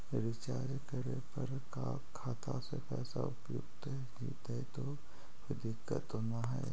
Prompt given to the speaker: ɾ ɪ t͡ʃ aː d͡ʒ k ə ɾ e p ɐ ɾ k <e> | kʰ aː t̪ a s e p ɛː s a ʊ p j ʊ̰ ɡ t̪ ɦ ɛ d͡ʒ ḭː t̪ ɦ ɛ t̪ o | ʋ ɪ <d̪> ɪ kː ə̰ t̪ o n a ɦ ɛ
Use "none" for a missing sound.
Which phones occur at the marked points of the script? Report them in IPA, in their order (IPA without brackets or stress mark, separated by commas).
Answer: a, d̪